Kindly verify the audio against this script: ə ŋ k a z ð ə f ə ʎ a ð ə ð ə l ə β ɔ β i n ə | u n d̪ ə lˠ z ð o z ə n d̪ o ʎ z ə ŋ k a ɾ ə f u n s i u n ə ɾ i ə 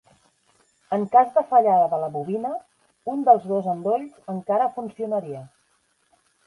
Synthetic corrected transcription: ə ŋ k a z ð ə f ə ʎ a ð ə ð ə l ə β u β i n ə | u n d̪ ə lˠ z ð o z ə n d̪ o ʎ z ə ŋ k a ɾ ə f u n s i u n ə ɾ i ə

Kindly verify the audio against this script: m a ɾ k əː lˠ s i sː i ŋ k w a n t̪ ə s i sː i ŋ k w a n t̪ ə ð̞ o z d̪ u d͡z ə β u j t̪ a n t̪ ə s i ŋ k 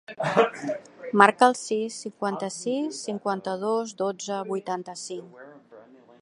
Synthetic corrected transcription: m a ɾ k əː lˠ s i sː i ŋ k w a n t̪ ə s i sː i ŋ k w a n t̪ ə ð̞ o z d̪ o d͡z ə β u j t̪ a n t̪ ə s i ŋ k

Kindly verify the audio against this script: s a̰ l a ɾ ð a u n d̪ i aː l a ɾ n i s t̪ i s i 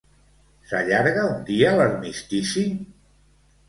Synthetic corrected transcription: s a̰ ʎ a ɾ ɣ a u n d̪ i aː l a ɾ m i s t̪ i s i

